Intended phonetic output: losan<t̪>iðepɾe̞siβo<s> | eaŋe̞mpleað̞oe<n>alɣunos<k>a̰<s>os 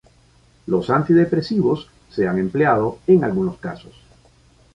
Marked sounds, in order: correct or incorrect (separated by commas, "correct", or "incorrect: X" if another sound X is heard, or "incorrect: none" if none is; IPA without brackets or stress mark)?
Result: correct, incorrect: sː, incorrect: ŋ, correct, correct